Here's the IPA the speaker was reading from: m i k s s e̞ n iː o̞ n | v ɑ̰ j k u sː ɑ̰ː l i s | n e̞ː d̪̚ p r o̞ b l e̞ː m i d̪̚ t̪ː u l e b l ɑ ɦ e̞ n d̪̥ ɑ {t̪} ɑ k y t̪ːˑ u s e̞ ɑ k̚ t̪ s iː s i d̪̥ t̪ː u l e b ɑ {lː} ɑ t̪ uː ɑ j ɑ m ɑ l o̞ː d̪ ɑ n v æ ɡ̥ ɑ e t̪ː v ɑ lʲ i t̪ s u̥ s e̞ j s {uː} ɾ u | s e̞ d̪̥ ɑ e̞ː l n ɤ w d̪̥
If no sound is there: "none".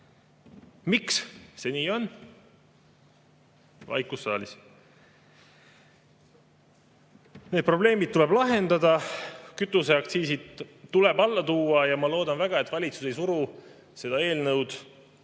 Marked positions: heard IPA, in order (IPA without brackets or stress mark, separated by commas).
d̪, lː, u